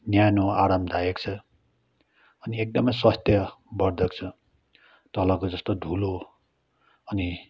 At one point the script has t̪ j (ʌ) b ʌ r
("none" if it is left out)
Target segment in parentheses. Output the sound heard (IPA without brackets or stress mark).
ʌ